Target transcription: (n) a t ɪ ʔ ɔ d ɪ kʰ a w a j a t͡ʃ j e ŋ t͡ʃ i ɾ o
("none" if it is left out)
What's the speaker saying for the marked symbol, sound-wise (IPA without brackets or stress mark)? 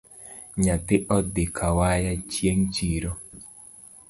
ɲ